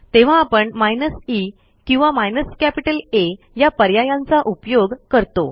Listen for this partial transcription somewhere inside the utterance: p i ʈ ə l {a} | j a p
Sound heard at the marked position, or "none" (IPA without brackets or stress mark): e